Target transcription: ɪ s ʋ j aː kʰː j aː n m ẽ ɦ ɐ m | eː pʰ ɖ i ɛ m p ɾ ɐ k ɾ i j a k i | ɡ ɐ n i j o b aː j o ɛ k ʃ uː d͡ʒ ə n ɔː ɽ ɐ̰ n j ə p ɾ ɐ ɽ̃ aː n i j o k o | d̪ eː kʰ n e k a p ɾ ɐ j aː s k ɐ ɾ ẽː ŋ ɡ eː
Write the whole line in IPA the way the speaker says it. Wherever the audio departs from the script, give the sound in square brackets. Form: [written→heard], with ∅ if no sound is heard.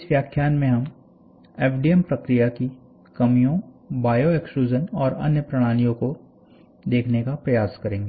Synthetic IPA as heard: ɪ s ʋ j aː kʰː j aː n m ẽ ɦ ɐ m | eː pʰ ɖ i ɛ m p ɾ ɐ k ɾ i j a k i | [ɡ→k] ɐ [n→m] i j [o→õ] b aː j o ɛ k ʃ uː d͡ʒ ə n ɔː [ɽ→ɾ] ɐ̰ n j ə p ɾ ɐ ɽ̃ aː n i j [o→õ] k o | d̪ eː kʰ n e k a p ɾ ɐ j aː s k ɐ ɾ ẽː ŋ ɡ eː